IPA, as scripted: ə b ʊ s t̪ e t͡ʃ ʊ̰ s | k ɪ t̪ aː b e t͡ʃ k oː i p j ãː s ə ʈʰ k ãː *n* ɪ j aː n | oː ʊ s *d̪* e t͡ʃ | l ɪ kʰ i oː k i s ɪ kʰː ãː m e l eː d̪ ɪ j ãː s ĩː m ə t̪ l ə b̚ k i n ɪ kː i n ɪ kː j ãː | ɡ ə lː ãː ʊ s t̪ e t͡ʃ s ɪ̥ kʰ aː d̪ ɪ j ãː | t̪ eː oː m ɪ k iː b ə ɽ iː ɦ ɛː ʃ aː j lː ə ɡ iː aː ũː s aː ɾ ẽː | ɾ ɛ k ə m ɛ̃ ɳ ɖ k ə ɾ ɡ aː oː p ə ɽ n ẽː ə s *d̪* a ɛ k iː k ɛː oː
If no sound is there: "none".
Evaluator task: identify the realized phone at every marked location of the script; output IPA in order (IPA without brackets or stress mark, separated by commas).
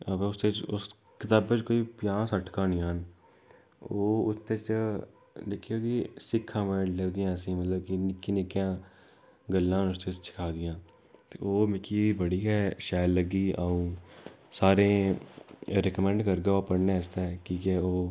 n, t̪, t̪